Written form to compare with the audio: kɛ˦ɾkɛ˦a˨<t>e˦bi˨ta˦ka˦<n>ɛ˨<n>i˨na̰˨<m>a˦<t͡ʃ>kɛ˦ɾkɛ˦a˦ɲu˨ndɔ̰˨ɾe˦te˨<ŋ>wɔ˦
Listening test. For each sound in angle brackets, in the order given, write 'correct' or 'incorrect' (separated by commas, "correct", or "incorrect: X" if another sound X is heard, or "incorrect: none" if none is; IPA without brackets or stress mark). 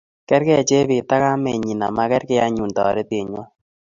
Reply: incorrect: t͡ʃ, incorrect: m, incorrect: ɲ, correct, incorrect: none, incorrect: ɲ